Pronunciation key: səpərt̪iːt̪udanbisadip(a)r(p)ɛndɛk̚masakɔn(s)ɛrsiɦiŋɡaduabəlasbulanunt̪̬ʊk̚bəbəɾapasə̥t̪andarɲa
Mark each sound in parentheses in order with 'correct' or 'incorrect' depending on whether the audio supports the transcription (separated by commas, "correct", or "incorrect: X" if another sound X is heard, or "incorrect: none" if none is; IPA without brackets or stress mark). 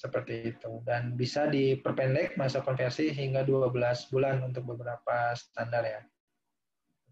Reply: incorrect: ə, correct, incorrect: f